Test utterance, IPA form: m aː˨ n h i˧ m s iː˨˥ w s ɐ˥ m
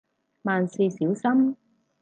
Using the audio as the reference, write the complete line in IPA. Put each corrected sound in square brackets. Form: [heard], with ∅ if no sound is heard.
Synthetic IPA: m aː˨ n [s] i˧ [∅] s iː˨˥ w s ɐ˥ m